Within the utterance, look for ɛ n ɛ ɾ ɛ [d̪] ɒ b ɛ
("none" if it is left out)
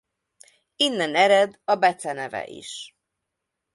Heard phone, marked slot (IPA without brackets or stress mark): d̪